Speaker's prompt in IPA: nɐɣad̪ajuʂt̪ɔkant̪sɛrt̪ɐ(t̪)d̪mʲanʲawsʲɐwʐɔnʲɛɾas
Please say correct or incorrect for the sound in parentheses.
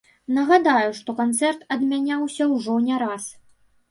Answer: incorrect